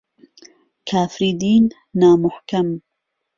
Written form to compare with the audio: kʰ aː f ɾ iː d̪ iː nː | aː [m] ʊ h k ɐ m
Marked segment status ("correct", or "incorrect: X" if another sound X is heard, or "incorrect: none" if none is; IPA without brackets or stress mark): correct